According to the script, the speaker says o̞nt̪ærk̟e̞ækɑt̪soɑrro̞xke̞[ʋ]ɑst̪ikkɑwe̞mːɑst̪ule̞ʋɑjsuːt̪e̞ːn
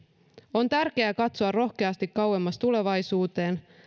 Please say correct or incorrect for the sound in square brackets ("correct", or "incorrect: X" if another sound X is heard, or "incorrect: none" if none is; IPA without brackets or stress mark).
incorrect: none